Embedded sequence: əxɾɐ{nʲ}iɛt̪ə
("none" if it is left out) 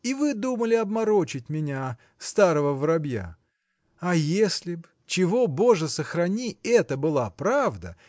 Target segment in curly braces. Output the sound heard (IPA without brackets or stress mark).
nʲ